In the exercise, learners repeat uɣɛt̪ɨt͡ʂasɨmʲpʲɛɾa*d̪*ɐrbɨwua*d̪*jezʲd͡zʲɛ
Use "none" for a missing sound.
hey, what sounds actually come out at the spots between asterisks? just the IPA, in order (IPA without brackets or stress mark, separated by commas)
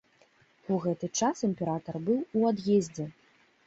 t̪, d̪